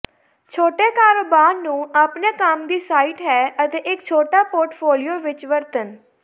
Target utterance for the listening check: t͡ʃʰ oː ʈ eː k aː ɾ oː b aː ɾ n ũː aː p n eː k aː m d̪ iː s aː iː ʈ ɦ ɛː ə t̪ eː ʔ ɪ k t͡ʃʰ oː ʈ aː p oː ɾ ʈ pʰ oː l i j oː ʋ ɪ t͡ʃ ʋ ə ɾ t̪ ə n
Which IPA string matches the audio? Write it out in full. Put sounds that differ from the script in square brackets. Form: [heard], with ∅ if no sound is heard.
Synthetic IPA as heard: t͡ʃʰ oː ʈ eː k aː ɾ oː b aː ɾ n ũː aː p n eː k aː m d̪ iː s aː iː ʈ ɦ ɛː ə t̪ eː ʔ ɪ k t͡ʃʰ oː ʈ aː p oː ɾ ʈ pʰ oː l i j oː ʋ ɪ t͡ʃ ʋ ə ɾ t̪ ə n